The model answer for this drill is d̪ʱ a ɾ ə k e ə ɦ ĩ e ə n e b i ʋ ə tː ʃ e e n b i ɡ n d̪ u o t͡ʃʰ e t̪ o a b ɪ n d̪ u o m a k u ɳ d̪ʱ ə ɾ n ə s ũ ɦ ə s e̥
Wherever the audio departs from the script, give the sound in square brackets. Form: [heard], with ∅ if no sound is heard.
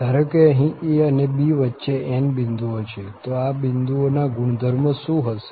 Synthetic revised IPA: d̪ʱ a ɾ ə k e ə ɦ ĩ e ə n e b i ʋ ə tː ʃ e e n b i [∅] n d̪ u o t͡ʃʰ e t̪ o a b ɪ n d̪ u o [n] a [ɡ] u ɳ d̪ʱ ə ɾ [m] ə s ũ ɦ ə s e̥